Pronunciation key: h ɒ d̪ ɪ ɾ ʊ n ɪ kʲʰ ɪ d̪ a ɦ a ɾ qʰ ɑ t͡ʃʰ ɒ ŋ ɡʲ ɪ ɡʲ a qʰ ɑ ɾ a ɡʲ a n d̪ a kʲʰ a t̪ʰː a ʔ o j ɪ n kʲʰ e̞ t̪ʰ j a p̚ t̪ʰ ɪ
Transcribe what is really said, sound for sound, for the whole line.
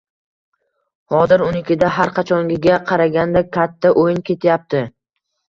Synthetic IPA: h ɒ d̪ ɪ ɾ ʊ n ɪ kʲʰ ɪ d̪ a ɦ a ɾ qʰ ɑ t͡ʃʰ ɒ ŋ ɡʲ ɪ ɡʲ a qʰ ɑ ɾ a ɡʲ a n d̪ a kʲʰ a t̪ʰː a ʔ o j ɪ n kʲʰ e̞ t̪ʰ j a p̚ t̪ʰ ɪ